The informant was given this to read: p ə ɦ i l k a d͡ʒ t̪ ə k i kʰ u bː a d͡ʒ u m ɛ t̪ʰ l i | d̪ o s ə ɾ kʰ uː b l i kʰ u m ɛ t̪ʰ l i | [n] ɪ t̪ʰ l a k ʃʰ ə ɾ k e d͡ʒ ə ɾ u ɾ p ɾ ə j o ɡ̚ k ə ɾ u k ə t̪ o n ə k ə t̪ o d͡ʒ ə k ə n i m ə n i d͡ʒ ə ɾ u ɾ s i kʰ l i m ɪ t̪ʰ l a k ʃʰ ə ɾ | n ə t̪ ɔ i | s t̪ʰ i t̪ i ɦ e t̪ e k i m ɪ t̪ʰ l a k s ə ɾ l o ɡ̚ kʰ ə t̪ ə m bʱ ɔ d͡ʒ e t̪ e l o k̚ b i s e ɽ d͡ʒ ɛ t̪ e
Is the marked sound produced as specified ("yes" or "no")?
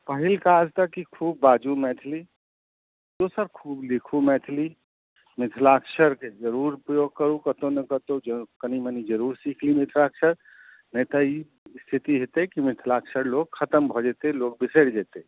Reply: no